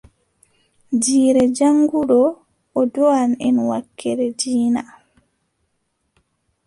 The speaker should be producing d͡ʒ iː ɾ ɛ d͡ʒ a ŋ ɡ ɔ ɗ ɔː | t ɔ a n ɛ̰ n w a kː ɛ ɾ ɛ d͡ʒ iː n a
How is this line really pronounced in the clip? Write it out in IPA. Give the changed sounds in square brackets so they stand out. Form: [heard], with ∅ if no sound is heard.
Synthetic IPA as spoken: d͡ʒ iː ɾ ɛ d͡ʒ a ŋ ɡ [u] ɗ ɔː | [d] ɔ a n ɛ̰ n w a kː ɛ ɾ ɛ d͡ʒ iː n a